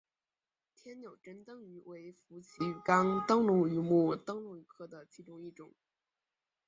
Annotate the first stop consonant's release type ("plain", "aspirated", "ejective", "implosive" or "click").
aspirated